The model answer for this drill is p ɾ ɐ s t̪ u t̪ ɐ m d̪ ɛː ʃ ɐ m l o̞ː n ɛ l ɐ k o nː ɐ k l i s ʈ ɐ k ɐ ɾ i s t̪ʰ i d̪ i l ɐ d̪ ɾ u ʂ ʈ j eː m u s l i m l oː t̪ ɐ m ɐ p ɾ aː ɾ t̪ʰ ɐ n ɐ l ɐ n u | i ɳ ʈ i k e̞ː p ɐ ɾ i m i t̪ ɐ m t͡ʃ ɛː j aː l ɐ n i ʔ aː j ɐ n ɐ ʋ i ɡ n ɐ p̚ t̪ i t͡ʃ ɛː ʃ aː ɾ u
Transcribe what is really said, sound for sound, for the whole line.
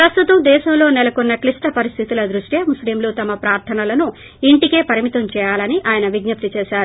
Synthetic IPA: p ɾ ɐ s t̪ u t̪ ɐ m d̪ ɛː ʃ ɐ m l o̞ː n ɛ l ɐ k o nː ɐ k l i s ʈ ɐ p ɐ ɾ i s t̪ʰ i t̪ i l ɐ d̪ ɾ u ʂ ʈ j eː m u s l i m l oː t̪ ɐ m ɐ p ɾ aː ɾ t̪ʰ ɐ n ɐ l ɐ n u | i ɳ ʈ i k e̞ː p ɐ ɾ i m i t̪ ɐ m t͡ʃ ɛː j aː l ɐ n i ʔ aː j ɐ n ɐ ʋ i ɡ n ɐ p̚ t̪ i t͡ʃ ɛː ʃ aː ɾ u